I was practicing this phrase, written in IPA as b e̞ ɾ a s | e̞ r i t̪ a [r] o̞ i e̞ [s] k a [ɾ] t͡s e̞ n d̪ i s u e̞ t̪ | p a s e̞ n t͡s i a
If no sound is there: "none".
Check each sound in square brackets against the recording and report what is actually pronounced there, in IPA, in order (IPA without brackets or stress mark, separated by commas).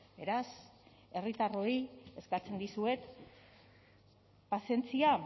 r, s, none